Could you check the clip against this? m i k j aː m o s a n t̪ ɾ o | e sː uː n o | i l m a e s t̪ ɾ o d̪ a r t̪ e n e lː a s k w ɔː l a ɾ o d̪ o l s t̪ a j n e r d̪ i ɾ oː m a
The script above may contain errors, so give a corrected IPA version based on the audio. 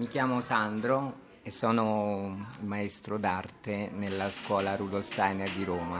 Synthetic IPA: m i k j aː m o s a n d̪ ɾ o | e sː ɔː n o | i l m a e s t̪ ɾ o d̪ a r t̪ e n e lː a s k w ɔː l a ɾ u d̪ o l s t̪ a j n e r d̪ i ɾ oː m a